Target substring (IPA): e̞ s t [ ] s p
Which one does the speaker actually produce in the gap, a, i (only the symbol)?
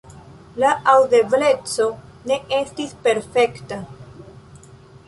i